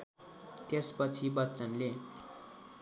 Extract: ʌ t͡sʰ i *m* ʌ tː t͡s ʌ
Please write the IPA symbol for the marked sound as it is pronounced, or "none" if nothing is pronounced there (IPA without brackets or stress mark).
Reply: b